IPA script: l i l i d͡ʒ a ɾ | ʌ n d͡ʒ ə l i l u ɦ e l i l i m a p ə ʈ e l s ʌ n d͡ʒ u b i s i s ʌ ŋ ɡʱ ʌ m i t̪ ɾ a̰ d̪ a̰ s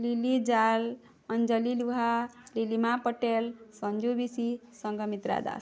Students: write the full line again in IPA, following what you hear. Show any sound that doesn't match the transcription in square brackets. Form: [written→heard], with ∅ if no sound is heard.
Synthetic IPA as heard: l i l i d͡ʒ a [ɾ→l] | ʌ n d͡ʒ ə l i l u ɦ [e→a] l i l i m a p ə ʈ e l s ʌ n d͡ʒ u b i s i s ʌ ŋ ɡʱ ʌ m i t̪ ɾ a̰ d̪ a̰ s